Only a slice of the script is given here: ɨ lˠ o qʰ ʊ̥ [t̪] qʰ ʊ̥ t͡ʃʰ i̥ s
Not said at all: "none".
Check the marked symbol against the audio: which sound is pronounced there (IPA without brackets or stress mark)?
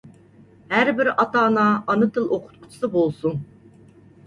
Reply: t̪